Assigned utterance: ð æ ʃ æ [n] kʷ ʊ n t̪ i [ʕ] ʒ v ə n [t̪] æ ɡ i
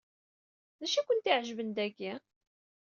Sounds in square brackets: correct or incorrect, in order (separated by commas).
incorrect, correct, incorrect